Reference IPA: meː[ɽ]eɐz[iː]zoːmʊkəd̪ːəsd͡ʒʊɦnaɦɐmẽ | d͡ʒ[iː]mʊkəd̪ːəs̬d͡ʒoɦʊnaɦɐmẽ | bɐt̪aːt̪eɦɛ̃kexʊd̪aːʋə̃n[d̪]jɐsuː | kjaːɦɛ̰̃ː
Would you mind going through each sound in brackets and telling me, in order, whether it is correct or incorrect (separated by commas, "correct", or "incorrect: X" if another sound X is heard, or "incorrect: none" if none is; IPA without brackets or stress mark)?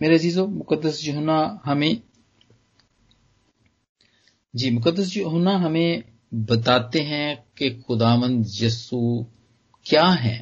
incorrect: ɾ, correct, correct, correct